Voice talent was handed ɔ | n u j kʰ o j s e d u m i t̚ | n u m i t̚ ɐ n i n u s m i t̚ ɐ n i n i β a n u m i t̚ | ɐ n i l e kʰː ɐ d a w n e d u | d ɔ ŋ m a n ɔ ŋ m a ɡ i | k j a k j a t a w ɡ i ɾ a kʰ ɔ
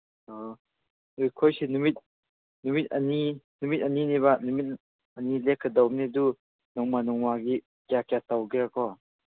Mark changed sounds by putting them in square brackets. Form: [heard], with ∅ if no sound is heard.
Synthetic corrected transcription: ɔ | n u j kʰ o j s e [n] u m i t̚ | n u m i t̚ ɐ n i n u [∅] m i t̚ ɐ n i n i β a n u m i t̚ | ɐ n i l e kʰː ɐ d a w n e d u | [n] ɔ ŋ m a n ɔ ŋ m a ɡ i | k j a k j a t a w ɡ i ɾ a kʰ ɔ